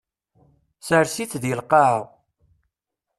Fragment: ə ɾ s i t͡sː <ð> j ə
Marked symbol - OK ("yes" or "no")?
yes